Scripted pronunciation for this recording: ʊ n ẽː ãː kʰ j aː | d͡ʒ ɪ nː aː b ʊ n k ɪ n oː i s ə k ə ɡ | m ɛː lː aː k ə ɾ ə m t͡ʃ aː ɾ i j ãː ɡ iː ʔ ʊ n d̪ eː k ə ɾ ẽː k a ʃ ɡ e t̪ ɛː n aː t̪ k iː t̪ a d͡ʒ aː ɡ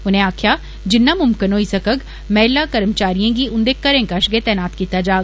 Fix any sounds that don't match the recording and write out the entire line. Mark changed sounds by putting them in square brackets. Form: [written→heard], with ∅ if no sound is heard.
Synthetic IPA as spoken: ʊ n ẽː [ãː→aː] kʰ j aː | d͡ʒ ɪ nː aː [b→m] ʊ [n→m] k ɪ n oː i s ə k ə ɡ | m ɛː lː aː k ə ɾ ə m t͡ʃ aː ɾ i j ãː ɡ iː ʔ ʊ n d̪ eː k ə ɾ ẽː k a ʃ ɡ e t̪ ɛː n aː t̪ k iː t̪ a d͡ʒ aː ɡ